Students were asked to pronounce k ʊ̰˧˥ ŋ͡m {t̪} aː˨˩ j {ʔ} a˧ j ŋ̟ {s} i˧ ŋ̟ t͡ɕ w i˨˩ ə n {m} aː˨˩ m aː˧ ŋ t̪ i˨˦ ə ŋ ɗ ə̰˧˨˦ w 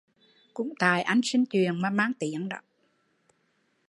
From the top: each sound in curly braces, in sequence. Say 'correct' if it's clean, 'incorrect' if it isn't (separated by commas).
correct, correct, correct, correct